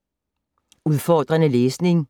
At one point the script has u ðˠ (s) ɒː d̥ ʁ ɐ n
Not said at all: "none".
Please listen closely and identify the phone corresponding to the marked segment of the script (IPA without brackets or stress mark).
f